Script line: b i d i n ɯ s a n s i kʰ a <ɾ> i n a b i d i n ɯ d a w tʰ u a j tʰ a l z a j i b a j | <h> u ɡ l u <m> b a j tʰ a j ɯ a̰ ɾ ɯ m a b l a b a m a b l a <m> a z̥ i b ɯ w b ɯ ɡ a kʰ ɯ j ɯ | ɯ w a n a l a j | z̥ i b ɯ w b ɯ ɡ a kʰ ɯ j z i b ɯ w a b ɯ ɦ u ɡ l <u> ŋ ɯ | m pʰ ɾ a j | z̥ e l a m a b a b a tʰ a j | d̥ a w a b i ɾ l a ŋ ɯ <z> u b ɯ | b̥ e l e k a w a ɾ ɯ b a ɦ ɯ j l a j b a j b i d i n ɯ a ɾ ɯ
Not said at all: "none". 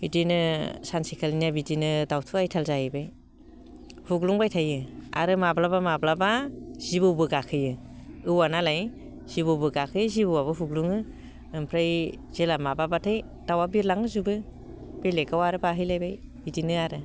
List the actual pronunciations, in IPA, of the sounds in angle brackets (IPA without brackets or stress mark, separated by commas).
l, h, ŋ, b, u, z